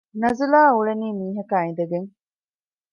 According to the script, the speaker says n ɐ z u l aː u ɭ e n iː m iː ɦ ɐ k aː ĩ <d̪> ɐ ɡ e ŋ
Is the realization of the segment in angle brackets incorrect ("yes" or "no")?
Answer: no